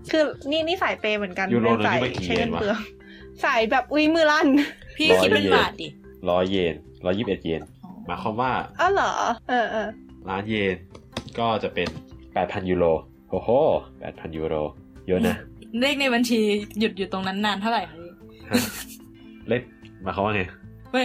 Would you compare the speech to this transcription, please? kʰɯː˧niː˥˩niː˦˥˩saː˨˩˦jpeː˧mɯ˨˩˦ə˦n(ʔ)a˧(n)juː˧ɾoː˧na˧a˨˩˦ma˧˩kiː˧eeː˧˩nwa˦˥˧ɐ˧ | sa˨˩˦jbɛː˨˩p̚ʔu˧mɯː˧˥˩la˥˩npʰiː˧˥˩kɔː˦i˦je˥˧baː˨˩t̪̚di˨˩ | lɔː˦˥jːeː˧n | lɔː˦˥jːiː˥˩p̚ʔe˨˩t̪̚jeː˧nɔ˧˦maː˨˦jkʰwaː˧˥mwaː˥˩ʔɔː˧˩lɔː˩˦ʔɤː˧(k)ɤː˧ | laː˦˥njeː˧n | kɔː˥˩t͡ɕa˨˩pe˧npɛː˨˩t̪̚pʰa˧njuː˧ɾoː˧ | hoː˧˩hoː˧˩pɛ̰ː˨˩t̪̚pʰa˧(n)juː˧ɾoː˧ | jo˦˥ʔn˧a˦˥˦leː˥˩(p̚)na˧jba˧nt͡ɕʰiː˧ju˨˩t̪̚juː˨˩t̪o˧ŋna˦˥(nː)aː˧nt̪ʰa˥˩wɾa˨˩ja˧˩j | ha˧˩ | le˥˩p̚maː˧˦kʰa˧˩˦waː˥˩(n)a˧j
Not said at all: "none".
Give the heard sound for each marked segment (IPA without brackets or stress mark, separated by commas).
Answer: k, n, ʔ, n, k̚, nː, ŋ